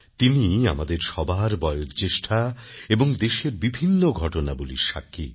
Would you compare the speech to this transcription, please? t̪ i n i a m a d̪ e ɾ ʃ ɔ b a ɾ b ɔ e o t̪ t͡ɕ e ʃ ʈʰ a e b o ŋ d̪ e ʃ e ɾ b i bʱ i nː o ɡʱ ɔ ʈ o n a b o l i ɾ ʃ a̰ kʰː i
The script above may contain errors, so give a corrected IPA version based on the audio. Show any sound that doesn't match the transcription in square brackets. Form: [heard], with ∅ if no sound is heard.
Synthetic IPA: t̪ i n i a m a d̪ e ɾ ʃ ɔ b a ɾ b ɔ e o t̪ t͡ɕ e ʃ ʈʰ a e b o ŋ d̪ e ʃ e ɾ b i bʱ i nː o ɡʱ ɔ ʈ o n a b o l i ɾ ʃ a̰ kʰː i